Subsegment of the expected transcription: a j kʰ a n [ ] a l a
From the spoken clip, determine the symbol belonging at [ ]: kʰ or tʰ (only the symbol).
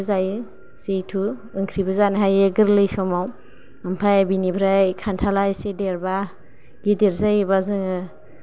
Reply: tʰ